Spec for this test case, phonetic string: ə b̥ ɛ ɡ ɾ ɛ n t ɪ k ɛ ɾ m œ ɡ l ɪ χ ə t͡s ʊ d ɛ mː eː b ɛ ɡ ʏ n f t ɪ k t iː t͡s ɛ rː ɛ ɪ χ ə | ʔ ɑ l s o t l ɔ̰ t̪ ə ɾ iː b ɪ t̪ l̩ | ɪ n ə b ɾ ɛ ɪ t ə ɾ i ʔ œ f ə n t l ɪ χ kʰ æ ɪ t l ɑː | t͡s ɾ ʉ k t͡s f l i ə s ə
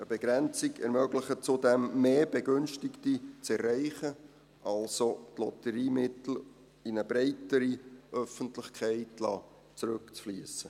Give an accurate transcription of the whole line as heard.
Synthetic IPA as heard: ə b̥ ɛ ɡ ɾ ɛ n t͡s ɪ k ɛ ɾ m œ ɡ l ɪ χ ə t͡s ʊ d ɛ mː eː b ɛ ɡ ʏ n ʃ t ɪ k t i t͡s ɛ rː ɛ ɪ χ ə | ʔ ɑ l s o t l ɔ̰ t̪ ə ɾ iː m ɪ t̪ l̩ | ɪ n ə b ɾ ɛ ɪ t ə ɾ i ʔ œ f ə n t l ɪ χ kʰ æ ɪ t l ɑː | t͡s ɾ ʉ k t͡s f l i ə s ə